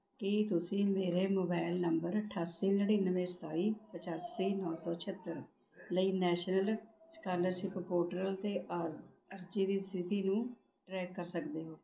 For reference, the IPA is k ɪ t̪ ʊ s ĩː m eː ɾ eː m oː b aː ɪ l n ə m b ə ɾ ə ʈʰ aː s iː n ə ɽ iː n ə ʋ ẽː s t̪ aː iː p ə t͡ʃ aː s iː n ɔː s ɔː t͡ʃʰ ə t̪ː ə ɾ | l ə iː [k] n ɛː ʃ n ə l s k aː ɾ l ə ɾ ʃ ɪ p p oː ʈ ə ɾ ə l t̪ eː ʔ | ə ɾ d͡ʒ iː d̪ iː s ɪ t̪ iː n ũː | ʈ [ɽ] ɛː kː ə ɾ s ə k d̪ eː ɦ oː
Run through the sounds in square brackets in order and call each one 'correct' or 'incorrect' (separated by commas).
incorrect, incorrect